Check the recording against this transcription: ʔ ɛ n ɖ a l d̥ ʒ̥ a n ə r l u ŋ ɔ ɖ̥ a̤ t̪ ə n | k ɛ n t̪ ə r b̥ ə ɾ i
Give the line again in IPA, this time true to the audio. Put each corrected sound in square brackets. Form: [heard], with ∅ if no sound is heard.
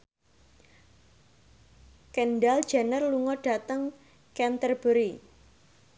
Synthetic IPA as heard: [k] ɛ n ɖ a l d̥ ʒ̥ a n ə r l u ŋ ɔ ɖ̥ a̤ t̪ ə [ŋ] | k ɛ n t̪ ə r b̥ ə ɾ i